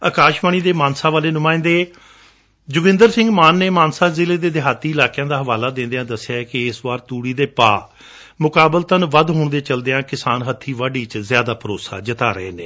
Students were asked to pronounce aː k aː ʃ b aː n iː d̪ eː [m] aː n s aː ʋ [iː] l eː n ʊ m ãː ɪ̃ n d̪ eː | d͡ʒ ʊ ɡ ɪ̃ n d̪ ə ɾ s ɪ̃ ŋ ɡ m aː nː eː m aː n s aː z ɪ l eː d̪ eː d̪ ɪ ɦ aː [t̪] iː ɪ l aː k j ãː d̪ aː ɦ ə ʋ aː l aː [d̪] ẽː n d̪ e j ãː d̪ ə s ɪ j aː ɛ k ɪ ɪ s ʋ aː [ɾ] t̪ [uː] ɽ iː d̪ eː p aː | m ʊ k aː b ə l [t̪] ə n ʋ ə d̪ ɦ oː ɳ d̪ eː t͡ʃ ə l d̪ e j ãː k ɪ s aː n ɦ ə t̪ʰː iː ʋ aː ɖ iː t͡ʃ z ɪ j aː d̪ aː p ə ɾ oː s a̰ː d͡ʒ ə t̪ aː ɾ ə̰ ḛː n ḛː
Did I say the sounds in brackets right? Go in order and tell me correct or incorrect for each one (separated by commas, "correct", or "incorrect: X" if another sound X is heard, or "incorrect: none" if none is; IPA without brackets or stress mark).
correct, incorrect: aː, correct, correct, correct, correct, correct